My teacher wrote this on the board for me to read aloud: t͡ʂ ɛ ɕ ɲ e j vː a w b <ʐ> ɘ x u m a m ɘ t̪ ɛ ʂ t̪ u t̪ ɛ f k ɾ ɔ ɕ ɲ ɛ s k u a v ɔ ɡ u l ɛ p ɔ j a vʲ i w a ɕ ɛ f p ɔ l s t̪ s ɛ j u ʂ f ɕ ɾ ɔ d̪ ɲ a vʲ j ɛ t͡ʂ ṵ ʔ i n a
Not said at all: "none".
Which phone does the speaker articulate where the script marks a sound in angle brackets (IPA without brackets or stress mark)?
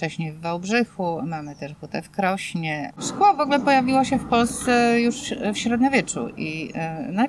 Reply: ʐ